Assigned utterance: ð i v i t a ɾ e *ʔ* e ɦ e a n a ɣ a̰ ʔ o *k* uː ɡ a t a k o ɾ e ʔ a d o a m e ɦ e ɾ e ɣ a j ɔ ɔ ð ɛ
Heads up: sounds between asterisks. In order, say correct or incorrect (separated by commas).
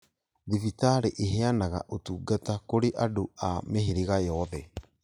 correct, incorrect